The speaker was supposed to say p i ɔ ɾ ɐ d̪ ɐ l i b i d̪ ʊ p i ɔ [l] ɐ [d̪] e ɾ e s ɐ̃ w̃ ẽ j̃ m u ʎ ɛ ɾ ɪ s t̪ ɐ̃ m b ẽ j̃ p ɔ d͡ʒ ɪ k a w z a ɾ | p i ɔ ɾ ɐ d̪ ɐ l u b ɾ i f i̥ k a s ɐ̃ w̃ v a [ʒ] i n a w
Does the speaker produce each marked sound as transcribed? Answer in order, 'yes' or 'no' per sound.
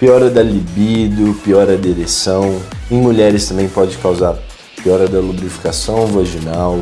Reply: no, yes, yes

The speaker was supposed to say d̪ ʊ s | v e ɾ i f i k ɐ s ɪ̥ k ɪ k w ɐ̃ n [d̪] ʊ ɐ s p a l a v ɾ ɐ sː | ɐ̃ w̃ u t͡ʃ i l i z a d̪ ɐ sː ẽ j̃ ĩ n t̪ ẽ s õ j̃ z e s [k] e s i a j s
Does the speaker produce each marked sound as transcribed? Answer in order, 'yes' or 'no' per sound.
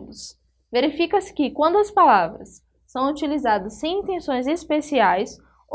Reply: yes, no

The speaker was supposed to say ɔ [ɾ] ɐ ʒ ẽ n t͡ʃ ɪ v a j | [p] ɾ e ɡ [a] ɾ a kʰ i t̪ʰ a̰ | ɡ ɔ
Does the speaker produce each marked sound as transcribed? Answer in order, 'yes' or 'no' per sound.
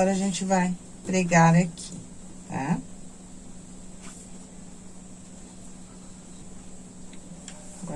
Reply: yes, yes, yes

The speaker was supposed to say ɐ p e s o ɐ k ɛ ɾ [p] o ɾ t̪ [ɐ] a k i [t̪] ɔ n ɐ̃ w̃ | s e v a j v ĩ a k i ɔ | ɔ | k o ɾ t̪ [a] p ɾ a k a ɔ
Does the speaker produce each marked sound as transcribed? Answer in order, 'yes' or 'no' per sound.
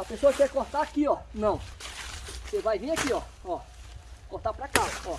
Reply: no, no, no, yes

